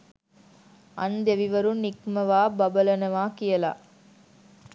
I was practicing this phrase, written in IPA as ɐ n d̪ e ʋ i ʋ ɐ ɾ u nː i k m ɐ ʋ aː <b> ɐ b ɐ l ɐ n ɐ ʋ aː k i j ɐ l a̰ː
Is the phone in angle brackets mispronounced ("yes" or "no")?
no